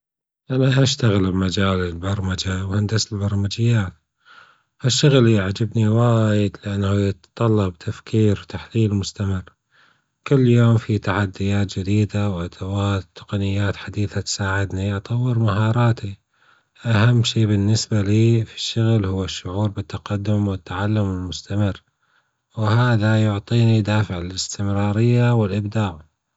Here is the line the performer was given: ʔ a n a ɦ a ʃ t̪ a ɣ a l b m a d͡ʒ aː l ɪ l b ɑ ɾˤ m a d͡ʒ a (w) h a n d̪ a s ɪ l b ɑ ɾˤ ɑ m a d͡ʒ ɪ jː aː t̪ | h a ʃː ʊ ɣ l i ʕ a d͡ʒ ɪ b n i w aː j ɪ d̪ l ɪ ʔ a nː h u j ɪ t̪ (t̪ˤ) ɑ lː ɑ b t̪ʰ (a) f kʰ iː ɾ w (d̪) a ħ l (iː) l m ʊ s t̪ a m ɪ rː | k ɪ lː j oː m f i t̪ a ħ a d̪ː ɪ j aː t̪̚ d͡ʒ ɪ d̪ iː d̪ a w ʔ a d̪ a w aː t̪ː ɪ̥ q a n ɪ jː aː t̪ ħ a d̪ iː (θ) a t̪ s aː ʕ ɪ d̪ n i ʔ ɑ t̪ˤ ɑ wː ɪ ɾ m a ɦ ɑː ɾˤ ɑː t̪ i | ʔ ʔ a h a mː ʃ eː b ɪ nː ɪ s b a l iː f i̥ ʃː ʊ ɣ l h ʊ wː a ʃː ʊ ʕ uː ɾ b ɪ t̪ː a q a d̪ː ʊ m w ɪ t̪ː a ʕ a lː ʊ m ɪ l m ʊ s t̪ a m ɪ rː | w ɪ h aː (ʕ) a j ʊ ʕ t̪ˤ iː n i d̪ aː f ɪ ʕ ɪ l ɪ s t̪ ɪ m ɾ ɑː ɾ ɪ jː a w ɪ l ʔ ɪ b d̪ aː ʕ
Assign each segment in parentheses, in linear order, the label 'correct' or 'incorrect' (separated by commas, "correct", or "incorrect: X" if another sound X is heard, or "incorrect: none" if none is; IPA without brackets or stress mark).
correct, correct, correct, incorrect: t̪, correct, correct, incorrect: ð